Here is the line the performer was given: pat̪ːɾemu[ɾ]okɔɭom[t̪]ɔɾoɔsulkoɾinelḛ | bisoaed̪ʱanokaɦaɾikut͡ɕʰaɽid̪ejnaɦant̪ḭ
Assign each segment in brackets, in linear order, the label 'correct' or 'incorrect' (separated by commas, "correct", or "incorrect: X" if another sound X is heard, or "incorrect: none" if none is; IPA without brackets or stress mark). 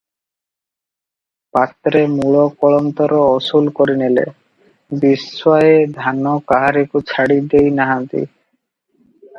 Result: incorrect: ɭ, correct